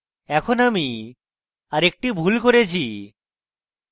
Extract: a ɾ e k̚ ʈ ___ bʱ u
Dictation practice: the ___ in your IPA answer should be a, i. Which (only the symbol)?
i